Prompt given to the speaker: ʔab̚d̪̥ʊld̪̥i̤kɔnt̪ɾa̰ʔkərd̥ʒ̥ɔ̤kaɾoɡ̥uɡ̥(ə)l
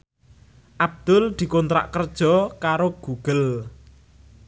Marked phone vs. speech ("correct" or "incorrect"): correct